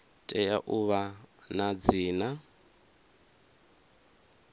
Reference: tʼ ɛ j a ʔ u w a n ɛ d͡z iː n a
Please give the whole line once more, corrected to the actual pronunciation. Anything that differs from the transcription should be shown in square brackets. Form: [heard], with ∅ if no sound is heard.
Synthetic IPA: tʼ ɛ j a ʔ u [β] a n [a] d͡z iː n a